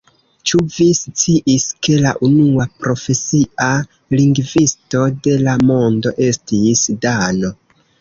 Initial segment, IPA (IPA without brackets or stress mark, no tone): t͡ʃ